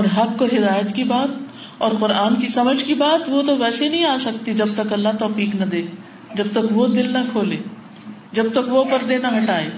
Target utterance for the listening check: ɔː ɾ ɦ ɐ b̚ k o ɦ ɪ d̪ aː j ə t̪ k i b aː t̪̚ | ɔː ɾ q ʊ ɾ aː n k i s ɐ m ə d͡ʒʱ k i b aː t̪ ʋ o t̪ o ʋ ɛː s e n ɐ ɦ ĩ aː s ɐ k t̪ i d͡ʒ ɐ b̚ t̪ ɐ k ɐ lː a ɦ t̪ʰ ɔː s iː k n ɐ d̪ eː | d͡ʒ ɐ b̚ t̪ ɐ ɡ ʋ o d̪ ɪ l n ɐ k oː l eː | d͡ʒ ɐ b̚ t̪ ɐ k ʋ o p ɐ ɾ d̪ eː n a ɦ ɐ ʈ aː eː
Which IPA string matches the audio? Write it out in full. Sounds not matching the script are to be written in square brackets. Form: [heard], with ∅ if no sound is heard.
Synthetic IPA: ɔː ɾ ɦ ɐ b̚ k o ɦ ɪ d̪ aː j ə t̪ k i b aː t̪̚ | ɔː ɾ q ʊ ɾ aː n k i s ɐ m ə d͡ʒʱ k i b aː t̪ ʋ o t̪ o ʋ ɛː s e n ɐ ɦ ĩ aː s ɐ k t̪ i d͡ʒ ɐ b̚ t̪ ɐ k ɐ lː a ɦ [t̪] ɔː [f] iː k n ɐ d̪ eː | d͡ʒ ɐ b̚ t̪ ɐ [k] ʋ o d̪ ɪ l n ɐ [kʰ] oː l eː | d͡ʒ ɐ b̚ t̪ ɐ k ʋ o p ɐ ɾ d̪ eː n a ɦ ɐ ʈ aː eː